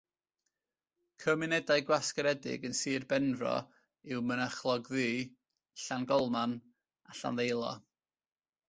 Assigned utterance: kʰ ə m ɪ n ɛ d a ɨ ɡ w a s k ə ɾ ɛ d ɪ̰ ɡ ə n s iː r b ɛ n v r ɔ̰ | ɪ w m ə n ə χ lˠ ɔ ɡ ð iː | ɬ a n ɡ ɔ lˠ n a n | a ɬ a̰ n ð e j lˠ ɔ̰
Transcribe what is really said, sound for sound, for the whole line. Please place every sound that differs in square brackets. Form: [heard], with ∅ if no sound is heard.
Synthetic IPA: kʰ ə m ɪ n ɛ d a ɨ ɡ w a s k ə ɾ ɛ d ɪ̰ ɡ ə n s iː r b ɛ n v r ɔ̰ | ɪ w m ə n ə χ lˠ ɔ ɡ ð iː | ɬ a n ɡ ɔ lˠ [m] a n | a ɬ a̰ n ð e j lˠ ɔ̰